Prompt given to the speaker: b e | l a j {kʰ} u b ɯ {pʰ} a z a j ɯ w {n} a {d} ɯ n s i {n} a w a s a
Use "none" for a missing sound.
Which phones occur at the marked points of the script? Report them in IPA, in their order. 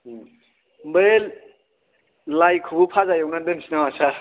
kʰ, pʰ, n, d, n

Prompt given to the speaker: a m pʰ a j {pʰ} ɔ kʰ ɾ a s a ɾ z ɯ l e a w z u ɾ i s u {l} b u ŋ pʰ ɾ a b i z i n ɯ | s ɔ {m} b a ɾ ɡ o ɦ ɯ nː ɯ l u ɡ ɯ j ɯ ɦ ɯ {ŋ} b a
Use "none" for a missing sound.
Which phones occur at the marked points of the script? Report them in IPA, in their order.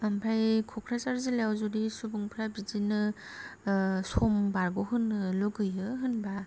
kʰ, none, m, n

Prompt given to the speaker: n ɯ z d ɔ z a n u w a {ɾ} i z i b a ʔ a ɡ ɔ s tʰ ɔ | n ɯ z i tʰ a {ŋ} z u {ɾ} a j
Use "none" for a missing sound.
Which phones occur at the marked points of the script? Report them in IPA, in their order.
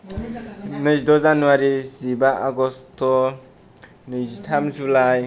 ɾ, m, l

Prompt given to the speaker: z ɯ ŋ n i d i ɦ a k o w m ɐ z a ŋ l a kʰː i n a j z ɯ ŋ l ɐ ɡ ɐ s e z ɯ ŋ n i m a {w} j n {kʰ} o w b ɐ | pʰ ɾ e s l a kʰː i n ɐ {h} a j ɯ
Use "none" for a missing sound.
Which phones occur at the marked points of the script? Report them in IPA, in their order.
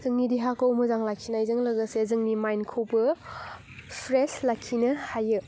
none, kʰ, h

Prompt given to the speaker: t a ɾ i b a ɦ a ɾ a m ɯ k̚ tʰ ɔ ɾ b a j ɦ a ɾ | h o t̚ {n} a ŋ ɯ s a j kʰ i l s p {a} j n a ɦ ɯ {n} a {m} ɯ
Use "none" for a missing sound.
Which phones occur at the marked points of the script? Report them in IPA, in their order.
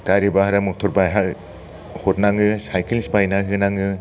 n, a, n, ŋ

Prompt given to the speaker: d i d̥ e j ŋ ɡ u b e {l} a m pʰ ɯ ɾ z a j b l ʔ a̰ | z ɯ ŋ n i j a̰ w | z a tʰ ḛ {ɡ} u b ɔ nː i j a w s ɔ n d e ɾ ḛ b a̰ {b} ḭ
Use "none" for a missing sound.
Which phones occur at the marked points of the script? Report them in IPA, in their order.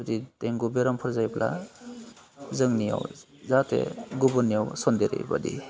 ɾ, ɡ, d

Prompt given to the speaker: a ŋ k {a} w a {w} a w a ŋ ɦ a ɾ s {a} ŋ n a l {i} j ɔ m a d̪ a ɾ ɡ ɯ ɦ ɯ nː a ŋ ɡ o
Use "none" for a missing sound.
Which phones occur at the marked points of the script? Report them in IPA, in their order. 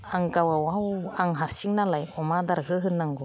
a, w, i, a

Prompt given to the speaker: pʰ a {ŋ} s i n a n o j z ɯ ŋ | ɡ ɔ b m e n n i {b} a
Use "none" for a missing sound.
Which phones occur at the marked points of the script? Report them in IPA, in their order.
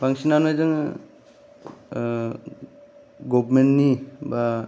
ŋ, b

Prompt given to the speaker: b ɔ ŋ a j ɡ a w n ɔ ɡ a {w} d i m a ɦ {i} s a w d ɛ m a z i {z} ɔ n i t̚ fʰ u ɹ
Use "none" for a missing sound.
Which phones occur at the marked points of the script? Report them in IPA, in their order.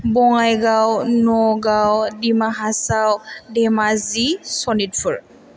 w, a, s

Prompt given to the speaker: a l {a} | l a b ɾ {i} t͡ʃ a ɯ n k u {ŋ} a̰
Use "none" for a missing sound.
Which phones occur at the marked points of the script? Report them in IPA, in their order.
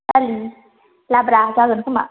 i, a, m

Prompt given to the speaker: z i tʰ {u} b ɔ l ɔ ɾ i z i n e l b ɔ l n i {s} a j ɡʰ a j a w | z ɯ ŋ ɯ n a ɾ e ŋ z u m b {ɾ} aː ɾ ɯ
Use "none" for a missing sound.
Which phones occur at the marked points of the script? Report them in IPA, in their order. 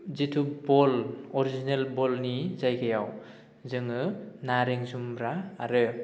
u, z, ɾ

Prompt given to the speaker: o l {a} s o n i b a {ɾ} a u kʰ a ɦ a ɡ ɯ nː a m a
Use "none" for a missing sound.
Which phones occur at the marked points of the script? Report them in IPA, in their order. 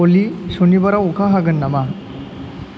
i, ɾ

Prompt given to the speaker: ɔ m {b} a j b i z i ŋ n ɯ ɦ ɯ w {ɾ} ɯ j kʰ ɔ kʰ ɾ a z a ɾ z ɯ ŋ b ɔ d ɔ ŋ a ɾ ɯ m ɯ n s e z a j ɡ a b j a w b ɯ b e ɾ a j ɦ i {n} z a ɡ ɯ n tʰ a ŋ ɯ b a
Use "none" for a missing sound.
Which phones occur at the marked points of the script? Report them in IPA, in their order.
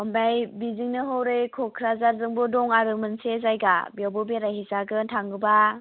b, ɾ, none

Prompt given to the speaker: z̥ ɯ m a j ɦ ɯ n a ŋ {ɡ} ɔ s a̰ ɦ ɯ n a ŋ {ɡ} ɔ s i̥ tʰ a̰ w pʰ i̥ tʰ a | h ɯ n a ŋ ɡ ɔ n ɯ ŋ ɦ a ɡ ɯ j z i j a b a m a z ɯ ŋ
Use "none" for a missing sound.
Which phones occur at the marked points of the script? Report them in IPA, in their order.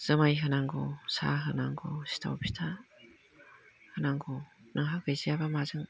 ɡ, ɡ

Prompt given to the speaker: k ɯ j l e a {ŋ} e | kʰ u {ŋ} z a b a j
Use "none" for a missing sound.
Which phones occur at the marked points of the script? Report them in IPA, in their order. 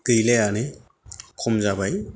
n, m

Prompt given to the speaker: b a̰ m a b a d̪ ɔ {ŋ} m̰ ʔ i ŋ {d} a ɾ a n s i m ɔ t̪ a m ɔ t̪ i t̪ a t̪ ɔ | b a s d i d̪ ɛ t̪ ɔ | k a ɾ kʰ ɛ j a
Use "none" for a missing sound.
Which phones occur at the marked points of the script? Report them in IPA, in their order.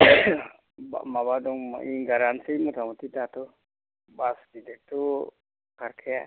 ŋ, ɡ

